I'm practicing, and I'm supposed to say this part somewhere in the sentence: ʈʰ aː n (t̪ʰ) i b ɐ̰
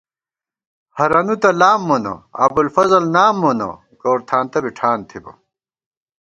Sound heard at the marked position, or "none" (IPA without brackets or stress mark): t̪ʰ